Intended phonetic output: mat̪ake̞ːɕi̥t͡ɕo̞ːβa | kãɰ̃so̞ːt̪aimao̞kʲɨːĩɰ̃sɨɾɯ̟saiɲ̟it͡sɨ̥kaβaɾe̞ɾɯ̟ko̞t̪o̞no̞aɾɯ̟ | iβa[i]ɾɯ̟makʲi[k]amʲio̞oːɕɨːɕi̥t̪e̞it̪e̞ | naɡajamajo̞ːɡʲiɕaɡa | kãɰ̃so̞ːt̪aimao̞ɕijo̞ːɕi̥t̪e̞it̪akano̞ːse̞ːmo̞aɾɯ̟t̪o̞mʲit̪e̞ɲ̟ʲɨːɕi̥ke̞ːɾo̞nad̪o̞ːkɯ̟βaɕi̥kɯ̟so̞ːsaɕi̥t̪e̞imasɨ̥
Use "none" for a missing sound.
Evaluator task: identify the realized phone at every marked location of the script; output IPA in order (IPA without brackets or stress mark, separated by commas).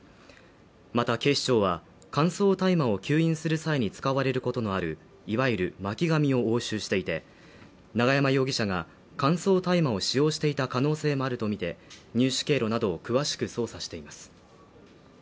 i, ɡ